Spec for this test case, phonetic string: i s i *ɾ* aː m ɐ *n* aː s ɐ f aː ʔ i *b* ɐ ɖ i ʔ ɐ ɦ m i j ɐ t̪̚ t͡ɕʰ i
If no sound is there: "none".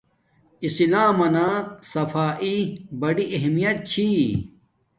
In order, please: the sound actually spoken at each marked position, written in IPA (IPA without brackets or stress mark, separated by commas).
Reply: l, n, b